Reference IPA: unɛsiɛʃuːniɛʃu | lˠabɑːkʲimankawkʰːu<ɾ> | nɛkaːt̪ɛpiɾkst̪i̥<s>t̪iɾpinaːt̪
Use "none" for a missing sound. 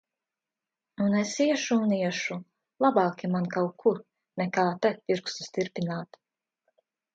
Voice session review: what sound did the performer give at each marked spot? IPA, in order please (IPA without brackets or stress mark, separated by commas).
ɾ, s